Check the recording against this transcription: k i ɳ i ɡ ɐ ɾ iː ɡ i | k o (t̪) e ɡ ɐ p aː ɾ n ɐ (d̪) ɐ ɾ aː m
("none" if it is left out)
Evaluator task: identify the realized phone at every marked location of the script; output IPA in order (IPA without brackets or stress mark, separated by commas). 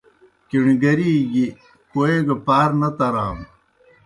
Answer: none, t̪